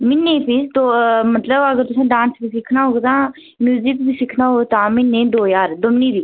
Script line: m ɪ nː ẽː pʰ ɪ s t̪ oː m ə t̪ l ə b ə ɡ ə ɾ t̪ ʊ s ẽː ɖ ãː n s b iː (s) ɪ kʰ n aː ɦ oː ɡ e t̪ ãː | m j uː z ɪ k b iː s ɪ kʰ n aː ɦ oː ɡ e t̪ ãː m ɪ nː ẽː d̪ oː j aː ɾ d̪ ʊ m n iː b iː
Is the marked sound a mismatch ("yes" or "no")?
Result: no